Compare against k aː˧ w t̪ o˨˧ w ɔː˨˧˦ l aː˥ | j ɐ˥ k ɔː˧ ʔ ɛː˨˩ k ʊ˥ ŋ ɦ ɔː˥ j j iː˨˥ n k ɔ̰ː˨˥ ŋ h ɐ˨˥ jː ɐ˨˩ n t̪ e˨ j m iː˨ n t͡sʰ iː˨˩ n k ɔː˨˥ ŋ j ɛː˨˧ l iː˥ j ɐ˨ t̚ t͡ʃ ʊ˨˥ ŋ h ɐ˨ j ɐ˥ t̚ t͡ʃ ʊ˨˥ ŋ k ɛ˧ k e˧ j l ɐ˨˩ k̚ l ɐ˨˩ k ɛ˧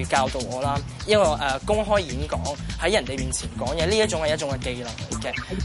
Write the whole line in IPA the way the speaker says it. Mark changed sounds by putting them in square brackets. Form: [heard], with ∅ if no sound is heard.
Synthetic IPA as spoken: k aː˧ w t̪ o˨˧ w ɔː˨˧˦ l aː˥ | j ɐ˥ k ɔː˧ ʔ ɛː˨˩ k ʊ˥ ŋ ɦ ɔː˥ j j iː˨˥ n k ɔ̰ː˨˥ ŋ h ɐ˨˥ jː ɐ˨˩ n t̪ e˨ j m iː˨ n t͡sʰ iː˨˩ n k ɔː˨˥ ŋ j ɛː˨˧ l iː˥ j [ɐ˥] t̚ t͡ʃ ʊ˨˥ ŋ h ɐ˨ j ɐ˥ t̚ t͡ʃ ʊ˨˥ ŋ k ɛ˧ k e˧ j l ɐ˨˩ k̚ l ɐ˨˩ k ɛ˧